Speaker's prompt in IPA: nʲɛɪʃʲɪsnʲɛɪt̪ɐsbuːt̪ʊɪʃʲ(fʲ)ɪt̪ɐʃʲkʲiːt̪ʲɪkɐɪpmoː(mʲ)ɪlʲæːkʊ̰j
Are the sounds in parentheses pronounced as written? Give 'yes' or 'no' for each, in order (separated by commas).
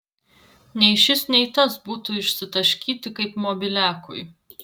no, no